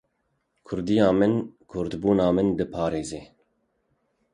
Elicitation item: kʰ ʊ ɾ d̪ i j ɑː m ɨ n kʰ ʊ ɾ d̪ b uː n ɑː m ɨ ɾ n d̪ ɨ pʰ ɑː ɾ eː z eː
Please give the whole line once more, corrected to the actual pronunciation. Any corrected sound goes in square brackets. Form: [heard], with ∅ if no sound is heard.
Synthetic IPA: kʰ ʊ ɾ d̪ i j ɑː m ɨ n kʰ ʊ ɾ d̪ b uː n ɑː m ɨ [∅] n d̪ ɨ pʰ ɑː ɾ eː z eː

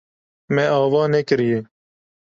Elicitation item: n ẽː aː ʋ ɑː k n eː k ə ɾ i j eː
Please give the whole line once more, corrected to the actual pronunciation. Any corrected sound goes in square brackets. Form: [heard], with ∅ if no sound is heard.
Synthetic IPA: [m] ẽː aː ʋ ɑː [∅] n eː k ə ɾ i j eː

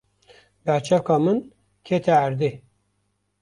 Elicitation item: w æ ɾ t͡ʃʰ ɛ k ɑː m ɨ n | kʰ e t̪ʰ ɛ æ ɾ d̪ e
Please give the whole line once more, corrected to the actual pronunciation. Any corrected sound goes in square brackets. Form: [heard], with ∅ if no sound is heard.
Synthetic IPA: [b] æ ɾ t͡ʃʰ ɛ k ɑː m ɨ n | kʰ e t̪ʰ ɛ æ ɾ d̪ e

